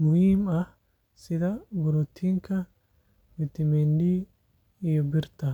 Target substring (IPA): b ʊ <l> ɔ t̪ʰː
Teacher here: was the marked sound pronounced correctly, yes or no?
no